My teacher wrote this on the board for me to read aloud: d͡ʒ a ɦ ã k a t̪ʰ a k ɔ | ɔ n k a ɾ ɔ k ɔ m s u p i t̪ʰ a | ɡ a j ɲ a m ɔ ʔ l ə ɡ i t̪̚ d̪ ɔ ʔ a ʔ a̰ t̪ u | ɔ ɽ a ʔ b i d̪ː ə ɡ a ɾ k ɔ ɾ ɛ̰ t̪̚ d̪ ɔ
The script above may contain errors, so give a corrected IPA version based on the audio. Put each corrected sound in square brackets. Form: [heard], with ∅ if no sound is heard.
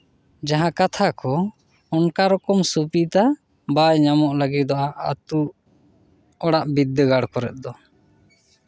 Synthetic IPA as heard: d͡ʒ a ɦ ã k a t̪ʰ a k ɔ | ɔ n k a ɾ ɔ k ɔ m s u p i [t̪] a | [b] a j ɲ a m ɔ ʔ l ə ɡ i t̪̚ d̪ ɔ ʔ a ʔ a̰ t̪ u | ɔ ɽ a ʔ b i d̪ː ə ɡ a [ɽ] k ɔ ɾ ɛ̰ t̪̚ d̪ ɔ

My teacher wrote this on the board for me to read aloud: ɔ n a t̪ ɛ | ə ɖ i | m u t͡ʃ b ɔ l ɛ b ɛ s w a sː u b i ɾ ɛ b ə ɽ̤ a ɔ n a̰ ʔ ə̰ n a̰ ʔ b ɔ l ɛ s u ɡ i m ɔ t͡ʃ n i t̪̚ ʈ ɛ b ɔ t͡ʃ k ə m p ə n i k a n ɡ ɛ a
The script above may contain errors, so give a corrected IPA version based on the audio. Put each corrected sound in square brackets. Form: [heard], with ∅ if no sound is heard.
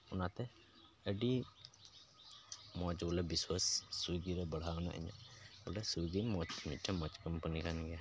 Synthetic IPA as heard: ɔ n a t̪ ɛ | ə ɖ i | m [ɔ] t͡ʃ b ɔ l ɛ b [i] s w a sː u [ɡ] i ɾ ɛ b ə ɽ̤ a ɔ n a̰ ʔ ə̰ [ɲ] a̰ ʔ b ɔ l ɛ s u ɡ i m ɔ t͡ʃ [m] i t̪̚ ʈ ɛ [m] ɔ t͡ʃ k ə m p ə n i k a n ɡ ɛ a

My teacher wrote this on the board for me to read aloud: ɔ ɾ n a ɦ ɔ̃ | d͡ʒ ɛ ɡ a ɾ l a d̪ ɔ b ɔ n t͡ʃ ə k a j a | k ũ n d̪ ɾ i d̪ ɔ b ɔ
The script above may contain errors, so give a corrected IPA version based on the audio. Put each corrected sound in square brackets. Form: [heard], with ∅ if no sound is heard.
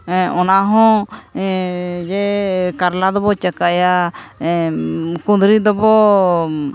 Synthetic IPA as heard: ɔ [∅] n a ɦ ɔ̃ | d͡ʒ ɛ [k] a ɾ l a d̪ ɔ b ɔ [∅] t͡ʃ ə k a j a | k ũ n d̪ ɾ i d̪ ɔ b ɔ

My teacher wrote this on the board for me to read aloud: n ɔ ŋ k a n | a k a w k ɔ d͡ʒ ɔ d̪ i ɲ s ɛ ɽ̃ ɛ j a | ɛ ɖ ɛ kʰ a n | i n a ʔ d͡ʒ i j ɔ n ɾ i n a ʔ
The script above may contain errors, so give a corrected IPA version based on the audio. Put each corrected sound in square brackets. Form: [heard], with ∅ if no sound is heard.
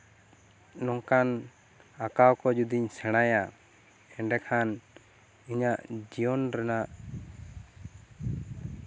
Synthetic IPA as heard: n ɔ ŋ k a n | a k a w k ɔ d͡ʒ [u] d̪ i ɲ s ɛ ɽ̃ [a] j a | ɛ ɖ ɛ kʰ a n | i [ɲ] a ʔ d͡ʒ i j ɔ n ɾ [ɛ] n a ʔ

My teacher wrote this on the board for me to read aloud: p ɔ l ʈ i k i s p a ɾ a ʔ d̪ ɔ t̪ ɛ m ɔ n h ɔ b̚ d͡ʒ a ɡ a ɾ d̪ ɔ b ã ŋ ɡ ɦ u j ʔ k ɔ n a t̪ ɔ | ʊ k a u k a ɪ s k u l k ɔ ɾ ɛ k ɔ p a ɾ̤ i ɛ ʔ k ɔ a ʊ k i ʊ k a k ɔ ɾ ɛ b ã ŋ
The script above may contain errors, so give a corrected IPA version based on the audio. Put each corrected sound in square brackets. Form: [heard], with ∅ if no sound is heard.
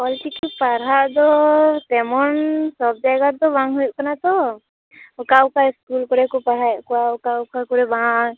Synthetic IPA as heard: p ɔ l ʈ i k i [∅] p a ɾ a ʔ d̪ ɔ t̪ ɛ m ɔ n [s] ɔ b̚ d͡ʒ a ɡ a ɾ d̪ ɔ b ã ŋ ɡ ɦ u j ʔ k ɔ n a t̪ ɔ | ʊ k a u k a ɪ s k u l k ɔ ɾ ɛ k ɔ p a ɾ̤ [a] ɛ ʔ k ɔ a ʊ k [a] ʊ k a k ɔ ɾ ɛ b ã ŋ

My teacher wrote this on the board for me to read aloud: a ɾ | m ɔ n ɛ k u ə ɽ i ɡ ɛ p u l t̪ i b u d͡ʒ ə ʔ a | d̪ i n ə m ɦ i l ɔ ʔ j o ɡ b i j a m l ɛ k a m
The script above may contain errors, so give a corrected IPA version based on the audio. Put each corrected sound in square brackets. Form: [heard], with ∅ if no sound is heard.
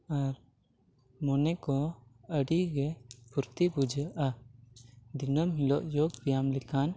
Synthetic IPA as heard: a ɾ | m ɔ n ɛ k [ɔ] ə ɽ i ɡ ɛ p u [ɾ] t̪ i b u d͡ʒ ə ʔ a | d̪ i n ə m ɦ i l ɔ ʔ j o ɡ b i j a m l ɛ k a [n]

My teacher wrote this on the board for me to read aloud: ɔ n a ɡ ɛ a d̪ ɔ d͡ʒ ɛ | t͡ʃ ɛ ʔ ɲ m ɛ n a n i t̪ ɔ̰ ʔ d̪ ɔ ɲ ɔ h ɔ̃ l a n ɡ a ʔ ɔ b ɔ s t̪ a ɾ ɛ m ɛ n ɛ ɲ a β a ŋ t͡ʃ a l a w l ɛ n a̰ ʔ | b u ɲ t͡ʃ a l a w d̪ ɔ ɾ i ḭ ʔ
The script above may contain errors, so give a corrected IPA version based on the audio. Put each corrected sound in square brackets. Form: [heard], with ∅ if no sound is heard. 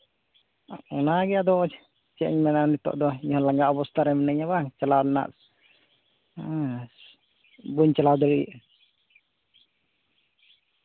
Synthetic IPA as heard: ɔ n a ɡ ɛ a d̪ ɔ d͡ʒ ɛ | t͡ʃ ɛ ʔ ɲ m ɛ n a n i t̪ ɔ̰ ʔ d̪ ɔ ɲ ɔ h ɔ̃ l a [ŋ] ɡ a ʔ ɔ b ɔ s t̪ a ɾ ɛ m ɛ n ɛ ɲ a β a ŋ t͡ʃ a l a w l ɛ n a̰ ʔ | b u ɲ t͡ʃ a l a w d̪ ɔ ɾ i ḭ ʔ

